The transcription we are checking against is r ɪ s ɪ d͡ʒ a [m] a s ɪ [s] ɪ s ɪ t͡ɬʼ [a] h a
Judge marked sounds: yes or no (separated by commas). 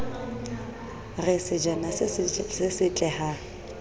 no, yes, no